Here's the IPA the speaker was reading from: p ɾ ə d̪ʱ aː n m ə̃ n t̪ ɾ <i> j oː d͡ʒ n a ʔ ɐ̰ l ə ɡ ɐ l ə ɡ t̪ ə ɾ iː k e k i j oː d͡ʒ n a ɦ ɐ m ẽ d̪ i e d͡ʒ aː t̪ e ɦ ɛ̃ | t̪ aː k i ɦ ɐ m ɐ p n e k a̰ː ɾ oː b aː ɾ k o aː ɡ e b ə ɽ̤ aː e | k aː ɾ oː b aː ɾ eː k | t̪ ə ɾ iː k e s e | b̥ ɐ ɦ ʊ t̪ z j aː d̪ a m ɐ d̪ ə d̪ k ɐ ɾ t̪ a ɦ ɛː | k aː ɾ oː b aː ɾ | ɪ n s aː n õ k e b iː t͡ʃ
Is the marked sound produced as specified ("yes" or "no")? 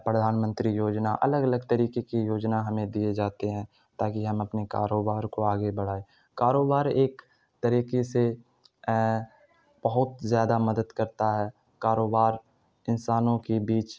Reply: yes